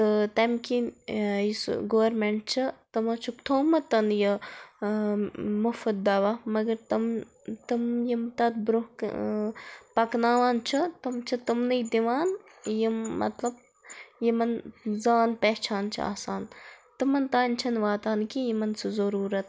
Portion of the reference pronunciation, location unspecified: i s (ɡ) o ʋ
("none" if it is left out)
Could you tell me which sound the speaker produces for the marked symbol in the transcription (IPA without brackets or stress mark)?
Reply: ɡ